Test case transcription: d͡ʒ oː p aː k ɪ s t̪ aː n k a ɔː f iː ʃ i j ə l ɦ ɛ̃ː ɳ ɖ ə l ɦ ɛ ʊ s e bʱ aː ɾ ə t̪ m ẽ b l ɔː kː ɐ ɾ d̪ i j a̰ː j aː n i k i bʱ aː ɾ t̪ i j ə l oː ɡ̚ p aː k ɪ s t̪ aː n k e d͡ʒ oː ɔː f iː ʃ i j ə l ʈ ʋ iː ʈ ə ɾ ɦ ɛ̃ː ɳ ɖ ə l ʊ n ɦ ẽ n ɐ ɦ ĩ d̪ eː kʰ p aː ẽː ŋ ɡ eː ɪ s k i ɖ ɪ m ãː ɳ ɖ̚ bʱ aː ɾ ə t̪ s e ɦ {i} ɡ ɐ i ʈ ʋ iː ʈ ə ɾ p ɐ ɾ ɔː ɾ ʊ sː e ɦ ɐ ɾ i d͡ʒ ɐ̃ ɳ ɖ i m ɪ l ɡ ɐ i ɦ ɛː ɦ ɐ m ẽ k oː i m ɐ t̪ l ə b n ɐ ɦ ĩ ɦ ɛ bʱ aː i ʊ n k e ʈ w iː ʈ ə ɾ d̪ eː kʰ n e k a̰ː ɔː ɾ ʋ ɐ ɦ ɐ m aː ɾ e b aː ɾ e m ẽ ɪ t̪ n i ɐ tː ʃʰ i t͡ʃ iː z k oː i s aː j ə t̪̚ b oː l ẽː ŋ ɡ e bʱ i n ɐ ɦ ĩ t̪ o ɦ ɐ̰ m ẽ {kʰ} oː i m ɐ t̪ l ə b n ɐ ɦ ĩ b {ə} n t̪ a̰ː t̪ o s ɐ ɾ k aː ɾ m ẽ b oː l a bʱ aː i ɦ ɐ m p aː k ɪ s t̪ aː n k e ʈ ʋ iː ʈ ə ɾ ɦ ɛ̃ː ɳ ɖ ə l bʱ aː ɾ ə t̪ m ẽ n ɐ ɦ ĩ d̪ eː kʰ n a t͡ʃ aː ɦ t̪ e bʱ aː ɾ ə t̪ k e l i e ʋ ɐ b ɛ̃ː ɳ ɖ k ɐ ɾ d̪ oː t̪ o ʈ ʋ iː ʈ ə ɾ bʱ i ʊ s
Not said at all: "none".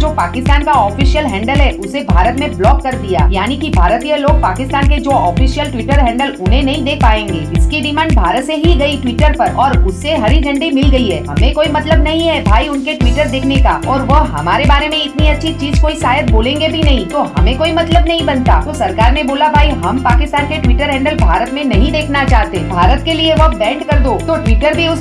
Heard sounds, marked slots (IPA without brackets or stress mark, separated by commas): i, k, ɐ